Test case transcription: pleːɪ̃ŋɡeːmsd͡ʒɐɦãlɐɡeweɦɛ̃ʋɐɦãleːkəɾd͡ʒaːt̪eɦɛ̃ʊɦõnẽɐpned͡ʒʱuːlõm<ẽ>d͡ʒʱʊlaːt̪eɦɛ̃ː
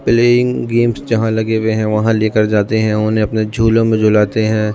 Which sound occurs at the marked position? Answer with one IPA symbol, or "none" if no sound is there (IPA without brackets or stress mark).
ẽ